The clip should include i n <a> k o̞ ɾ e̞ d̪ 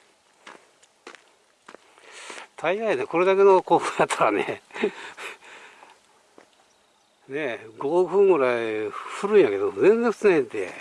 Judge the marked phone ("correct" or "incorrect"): incorrect